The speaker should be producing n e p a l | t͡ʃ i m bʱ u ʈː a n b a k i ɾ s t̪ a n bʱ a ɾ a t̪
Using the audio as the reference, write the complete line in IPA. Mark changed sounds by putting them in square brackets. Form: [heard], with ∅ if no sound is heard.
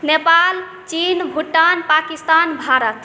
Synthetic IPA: n e p a l | t͡ʃ i [n] bʱ u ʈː a n [p] a k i [∅] s t̪ a n bʱ a ɾ [ə] t̪